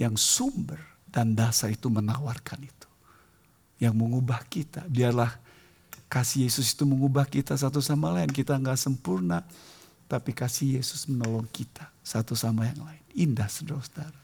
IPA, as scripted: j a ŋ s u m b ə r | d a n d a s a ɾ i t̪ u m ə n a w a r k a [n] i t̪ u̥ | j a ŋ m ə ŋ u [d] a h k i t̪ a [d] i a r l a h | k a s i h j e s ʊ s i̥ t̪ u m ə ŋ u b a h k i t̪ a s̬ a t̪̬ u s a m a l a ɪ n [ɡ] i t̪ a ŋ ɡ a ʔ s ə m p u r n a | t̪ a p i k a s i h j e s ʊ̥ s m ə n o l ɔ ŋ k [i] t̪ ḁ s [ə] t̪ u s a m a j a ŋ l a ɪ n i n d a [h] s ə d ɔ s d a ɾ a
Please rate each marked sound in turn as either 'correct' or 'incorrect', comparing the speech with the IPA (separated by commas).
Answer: correct, incorrect, incorrect, incorrect, correct, incorrect, correct